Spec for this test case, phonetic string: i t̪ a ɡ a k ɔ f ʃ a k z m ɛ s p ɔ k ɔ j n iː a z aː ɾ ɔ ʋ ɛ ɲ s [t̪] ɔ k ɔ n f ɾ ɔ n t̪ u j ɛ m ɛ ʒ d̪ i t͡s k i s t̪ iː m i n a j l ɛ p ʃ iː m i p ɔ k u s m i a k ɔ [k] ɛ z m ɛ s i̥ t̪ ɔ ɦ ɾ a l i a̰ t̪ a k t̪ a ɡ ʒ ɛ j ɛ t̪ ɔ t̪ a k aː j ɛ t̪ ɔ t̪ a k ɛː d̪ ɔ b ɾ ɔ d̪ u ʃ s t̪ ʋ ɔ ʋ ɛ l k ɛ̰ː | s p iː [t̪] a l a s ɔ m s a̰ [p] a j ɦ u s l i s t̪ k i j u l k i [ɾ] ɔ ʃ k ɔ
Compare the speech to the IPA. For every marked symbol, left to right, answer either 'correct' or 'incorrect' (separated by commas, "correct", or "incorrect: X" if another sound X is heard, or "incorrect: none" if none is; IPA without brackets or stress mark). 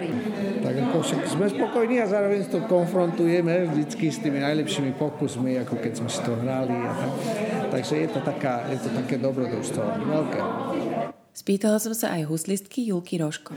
correct, correct, correct, incorrect: ʔ, correct